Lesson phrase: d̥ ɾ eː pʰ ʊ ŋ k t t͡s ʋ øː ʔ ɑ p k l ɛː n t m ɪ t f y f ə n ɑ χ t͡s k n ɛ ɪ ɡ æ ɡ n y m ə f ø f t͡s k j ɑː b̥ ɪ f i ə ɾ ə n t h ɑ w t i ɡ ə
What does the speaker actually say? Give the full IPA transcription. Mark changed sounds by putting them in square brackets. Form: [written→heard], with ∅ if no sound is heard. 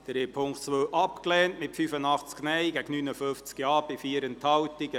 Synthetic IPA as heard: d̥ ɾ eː pʰ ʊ ŋ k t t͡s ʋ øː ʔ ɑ p k l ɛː n t m ɪ t f y f ə n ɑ χ t͡s k n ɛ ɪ ɡ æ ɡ n y [m→n] ə f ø f t͡s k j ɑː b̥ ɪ f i ə ɾ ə n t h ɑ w t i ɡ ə